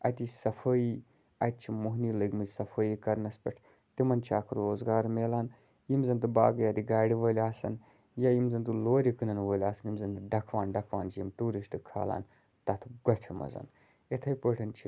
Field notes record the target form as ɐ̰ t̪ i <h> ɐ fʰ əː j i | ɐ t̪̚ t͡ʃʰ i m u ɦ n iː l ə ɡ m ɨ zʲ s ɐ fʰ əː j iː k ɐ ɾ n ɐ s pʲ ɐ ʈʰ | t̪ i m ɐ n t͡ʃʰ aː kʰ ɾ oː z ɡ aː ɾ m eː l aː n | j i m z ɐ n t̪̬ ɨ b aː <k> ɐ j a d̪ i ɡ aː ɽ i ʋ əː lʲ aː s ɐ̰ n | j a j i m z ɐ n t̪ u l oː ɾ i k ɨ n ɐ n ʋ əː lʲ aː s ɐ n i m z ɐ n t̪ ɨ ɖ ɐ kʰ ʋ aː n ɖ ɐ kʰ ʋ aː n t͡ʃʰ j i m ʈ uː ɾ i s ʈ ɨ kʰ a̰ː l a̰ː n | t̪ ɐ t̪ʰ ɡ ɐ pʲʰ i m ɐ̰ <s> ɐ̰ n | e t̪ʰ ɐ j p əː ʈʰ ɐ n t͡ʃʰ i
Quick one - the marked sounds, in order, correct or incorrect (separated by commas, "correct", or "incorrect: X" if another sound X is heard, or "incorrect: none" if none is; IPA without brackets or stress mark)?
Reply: incorrect: s, incorrect: ɡ, incorrect: z